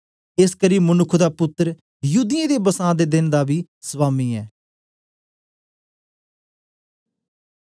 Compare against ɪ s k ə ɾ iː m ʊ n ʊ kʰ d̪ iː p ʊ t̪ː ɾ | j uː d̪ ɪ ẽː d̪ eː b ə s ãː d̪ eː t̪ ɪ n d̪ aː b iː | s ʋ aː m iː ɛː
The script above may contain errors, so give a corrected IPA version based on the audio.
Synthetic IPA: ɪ s k ə ɾ iː m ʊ n ʊ kʰ d̪ aː p ʊ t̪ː ɾ | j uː d̪ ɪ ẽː d̪ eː b ə s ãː d̪ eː d̪ ɪ n d̪ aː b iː | s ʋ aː m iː ɛː